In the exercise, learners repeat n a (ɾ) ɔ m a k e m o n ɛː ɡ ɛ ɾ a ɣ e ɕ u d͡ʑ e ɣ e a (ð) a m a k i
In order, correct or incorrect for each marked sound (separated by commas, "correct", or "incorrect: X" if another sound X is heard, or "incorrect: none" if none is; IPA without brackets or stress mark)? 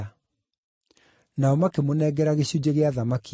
incorrect: none, correct